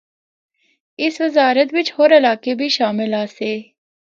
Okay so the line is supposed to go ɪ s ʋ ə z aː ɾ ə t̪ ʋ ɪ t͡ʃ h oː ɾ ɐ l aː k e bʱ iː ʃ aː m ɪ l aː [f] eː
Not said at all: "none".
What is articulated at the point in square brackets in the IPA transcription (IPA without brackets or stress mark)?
s